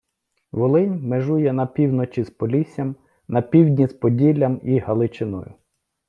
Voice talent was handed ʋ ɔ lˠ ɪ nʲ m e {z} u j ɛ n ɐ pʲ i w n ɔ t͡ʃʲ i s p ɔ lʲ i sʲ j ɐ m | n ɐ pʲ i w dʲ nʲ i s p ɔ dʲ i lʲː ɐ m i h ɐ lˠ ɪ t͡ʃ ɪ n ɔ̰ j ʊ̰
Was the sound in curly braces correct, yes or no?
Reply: no